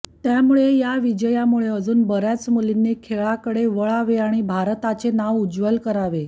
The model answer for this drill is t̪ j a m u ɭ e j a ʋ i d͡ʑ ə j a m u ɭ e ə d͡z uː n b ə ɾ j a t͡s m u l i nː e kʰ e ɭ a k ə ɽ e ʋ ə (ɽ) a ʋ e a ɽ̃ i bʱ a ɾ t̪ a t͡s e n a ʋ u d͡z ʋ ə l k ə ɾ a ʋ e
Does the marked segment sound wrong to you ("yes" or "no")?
yes